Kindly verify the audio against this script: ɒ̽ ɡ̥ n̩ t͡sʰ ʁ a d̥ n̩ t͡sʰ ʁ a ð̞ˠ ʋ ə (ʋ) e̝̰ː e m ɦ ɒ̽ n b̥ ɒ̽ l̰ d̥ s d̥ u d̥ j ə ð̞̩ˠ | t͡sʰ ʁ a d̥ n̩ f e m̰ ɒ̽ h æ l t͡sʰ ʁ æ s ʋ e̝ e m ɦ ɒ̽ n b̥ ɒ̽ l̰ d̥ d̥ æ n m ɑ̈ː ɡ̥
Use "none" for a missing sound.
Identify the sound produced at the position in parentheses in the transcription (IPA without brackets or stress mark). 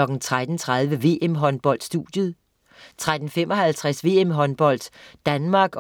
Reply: ʋ